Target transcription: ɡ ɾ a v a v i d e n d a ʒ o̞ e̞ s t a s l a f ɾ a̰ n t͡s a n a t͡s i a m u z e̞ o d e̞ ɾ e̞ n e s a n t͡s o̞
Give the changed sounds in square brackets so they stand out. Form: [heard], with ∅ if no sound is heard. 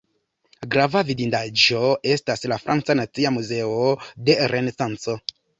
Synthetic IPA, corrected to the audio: ɡ ɾ a v a v i d [i] n d a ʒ o̞ e̞ s t a s l a f ɾ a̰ n t͡s a n a t͡s i a m u z e̞ o d e̞ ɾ e̞ n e s a n t͡s o̞